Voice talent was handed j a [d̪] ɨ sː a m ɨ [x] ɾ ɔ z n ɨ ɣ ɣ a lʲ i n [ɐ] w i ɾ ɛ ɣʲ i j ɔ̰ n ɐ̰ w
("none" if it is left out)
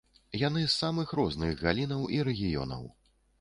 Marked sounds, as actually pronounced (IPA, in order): n̪, x, ɐ

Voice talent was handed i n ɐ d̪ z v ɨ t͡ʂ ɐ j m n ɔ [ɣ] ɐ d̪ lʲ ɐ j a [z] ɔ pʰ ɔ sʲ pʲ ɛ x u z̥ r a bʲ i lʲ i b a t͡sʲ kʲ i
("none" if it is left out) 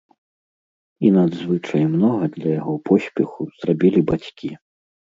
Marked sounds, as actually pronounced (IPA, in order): ɣ, ɣ

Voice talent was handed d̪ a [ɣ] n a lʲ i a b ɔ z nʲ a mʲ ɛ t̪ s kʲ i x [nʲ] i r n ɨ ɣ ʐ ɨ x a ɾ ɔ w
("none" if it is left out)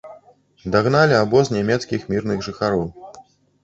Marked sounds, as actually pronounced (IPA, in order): ɣ, mʲ

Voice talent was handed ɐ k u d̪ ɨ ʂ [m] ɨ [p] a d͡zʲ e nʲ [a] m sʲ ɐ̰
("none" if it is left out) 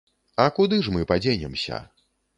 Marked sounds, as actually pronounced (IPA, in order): m, p, ɛ

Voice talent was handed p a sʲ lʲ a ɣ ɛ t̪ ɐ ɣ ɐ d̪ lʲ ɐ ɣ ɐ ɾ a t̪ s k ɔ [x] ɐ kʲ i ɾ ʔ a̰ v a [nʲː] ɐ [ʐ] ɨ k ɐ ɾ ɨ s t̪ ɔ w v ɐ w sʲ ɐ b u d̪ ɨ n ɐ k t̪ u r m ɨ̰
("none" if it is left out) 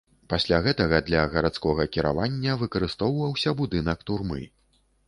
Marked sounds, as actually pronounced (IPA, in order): ɣ, nʲː, v

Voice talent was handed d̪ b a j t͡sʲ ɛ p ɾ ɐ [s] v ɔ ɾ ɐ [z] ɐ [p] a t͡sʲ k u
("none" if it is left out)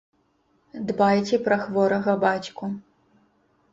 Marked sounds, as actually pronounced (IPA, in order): x, ɣ, b

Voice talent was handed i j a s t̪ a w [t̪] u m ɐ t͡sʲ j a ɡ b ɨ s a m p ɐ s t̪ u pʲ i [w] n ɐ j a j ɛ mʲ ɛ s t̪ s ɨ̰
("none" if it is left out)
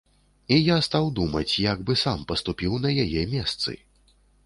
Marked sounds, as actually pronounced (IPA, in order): d̪, w

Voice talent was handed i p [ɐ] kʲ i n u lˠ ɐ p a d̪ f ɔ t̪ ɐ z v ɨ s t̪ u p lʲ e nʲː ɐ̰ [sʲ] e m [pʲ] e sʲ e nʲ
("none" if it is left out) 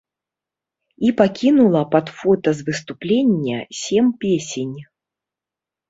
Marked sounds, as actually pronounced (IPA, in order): a, sʲ, pʲ

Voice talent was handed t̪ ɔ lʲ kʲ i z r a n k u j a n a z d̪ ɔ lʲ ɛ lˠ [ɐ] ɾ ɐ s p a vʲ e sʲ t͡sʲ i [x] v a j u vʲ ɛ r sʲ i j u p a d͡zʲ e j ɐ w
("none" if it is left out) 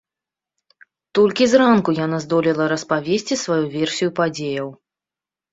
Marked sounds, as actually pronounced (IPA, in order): ɐ, s

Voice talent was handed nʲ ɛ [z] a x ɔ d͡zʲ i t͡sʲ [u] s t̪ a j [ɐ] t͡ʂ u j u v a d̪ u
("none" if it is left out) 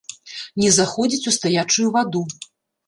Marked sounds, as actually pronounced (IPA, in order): z, u, a

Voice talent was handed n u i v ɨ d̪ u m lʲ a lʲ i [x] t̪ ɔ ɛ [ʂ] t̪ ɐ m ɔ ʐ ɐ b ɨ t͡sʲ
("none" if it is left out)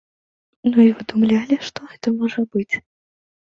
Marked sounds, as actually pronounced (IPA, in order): ʂ, none

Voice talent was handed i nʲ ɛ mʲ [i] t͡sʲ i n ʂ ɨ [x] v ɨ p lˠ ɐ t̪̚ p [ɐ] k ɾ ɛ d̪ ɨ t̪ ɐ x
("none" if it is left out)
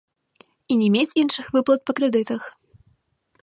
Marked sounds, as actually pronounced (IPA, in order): e, x, ɐ

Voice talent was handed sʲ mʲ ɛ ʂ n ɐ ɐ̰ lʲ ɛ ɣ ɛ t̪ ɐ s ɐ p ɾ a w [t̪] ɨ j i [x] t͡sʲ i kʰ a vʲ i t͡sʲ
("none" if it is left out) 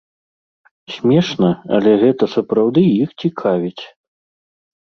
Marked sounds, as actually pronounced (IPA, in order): d̪, x

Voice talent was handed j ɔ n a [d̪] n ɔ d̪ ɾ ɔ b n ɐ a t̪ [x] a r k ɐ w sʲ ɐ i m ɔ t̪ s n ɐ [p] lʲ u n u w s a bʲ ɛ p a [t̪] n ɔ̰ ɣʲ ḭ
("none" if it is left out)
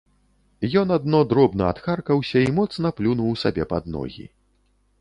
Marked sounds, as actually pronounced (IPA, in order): d̪, x, p, d̪

